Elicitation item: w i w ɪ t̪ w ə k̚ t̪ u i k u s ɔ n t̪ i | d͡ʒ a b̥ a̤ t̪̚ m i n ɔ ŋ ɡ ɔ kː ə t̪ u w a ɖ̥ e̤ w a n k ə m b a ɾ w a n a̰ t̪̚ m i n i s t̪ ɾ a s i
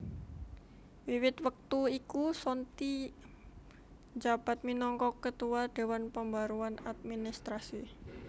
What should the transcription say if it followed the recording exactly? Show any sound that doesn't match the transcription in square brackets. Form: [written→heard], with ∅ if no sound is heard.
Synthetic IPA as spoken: w i w ɪ t̪ w ə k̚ t̪ u i k u s ɔ n t̪ i | d͡ʒ a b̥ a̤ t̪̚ m i n ɔ ŋ [ɡ→k] ɔ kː ə t̪ u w a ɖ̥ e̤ w a n [k→p] ə m b a ɾ [w→u] a n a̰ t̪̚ m i n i s t̪ ɾ a s i

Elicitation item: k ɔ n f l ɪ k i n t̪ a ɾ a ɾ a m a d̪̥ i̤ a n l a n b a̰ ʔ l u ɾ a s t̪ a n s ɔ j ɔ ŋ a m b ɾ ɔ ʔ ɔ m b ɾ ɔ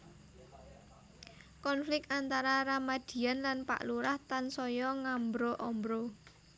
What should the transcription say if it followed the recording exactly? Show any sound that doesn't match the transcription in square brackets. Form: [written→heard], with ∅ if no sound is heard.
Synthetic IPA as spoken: k ɔ n f l ɪ k [i→a] n t̪ a ɾ a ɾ a m a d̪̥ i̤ a n l a n [b→p] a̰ ʔ l u ɾ a [s→h] t̪ a n s ɔ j ɔ ŋ a m b ɾ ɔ ʔ ɔ m b ɾ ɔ

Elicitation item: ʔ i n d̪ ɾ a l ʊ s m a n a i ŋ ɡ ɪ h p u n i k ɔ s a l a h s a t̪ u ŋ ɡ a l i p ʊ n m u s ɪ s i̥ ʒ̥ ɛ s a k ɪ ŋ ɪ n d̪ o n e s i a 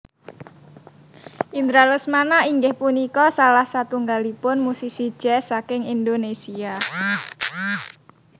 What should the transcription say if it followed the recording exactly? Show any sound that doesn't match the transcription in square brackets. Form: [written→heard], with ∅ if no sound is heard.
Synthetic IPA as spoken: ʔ i n d̪ ɾ a l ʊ s m a n a i ŋ ɡ ɪ h p u n i k ɔ s a l a h s a t̪ u ŋ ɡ a l i p ʊ n m u s [ɪ→i] s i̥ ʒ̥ ɛ s a k ɪ ŋ [ɪ→i] n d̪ o n e s i a

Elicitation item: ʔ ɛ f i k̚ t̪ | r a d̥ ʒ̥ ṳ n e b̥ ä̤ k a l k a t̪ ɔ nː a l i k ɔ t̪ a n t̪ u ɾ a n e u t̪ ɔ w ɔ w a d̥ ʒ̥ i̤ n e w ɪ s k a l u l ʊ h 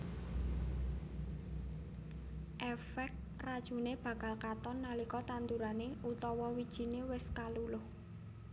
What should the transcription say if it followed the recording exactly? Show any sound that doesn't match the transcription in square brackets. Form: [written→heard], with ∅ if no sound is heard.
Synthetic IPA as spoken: ʔ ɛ f [i→ɛ] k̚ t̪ | r a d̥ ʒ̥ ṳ n e b̥ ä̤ k a l k a t̪ ɔ nː a l i k ɔ t̪ a n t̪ u ɾ a n e u t̪ ɔ w ɔ w [a→i] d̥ ʒ̥ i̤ n e w ɪ s k a l u l ʊ h

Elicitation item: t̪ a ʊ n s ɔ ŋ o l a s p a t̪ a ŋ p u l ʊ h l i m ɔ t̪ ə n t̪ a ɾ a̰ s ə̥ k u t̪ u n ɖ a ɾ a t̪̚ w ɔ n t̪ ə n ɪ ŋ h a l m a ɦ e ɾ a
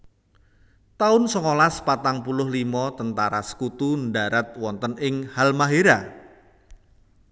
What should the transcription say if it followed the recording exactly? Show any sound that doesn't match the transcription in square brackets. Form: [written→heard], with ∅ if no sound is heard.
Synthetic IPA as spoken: t̪ a ʊ n s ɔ ŋ o l a s p a t̪ a ŋ p u l ʊ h l i m ɔ t̪ ə n t̪ a ɾ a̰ s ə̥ k u t̪ u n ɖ a ɾ a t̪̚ w ɔ n t̪ ə n ɪ ŋ h a l m a ɦ e ɾ a

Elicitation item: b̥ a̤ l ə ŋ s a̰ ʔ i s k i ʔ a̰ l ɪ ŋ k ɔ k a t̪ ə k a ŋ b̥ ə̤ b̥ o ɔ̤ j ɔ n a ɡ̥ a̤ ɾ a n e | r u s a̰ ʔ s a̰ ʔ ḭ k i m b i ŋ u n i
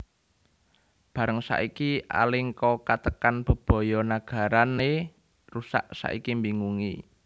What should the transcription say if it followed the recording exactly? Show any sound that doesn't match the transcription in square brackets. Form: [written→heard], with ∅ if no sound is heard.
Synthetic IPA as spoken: b̥ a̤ [l→ɾ] ə ŋ s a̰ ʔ i [s→∅] k i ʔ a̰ l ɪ ŋ k ɔ k a t̪ ə k a [ŋ→n] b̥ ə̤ b̥ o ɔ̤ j ɔ n a ɡ̥ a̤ ɾ a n e | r u s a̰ ʔ s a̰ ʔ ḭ k i m b i ŋ u [n→ŋ] i

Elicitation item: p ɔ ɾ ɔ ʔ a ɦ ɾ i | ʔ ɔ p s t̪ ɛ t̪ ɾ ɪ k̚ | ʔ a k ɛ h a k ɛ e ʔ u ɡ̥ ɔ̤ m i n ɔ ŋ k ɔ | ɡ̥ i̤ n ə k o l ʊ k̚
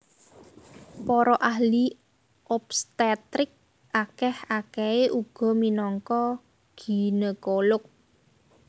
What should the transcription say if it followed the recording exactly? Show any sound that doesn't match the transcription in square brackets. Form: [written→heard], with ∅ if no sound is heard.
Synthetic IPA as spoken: p ɔ ɾ ɔ ʔ a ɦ [ɾ→l] i | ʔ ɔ p s t̪ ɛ t̪ ɾ ɪ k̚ | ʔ a k ɛ h a k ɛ e ʔ u ɡ̥ ɔ̤ m i n ɔ ŋ k ɔ | ɡ̥ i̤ n ə k o l ʊ k̚

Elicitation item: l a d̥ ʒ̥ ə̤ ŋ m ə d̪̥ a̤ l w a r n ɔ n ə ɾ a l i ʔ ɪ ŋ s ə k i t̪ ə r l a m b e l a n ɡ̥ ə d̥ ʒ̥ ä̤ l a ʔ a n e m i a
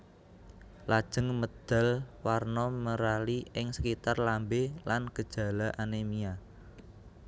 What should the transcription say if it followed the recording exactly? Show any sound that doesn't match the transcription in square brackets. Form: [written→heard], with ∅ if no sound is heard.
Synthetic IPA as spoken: l a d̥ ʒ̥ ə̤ ŋ m ə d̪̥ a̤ l w a r n ɔ [n→m] ə ɾ a l i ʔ ɪ ŋ s ə k i t̪ [ə→a] r l a m b e l a n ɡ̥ ə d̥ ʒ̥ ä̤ l a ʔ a n e m i a

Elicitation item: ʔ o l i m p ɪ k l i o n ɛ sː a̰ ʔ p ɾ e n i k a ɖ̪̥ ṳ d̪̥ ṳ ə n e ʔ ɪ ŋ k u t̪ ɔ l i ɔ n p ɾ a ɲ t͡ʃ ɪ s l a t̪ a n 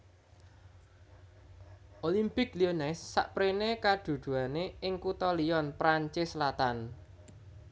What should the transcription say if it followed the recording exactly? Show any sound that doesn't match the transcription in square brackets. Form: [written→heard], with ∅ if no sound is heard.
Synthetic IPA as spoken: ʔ o l i m p ɪ k l i o n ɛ sː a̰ ʔ p ɾ e n [i→e] k a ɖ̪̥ ṳ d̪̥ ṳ [ə→a] n e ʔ ɪ ŋ k u t̪ ɔ l i ɔ n p ɾ a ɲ t͡ʃ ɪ s l a t̪ a n

